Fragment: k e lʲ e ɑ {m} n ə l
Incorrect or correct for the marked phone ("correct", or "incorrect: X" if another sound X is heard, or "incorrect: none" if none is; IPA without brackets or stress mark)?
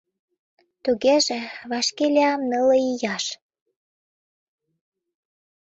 correct